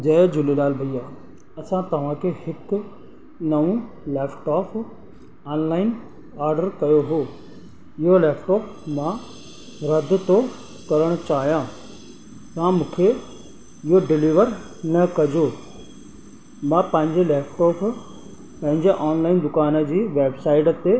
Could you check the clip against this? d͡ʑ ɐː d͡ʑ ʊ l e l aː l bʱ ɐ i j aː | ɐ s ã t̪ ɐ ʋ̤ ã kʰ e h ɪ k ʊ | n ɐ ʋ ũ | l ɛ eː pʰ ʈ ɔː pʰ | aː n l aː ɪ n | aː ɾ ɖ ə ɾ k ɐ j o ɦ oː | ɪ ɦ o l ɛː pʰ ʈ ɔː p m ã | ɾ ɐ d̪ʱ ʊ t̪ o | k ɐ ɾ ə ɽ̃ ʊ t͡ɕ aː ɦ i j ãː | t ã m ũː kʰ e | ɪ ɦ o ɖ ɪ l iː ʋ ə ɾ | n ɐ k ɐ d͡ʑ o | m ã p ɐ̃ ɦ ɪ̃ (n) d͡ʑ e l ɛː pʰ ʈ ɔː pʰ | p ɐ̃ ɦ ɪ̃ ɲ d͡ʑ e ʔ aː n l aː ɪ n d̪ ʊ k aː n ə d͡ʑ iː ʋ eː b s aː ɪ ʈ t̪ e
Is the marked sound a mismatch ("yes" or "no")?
yes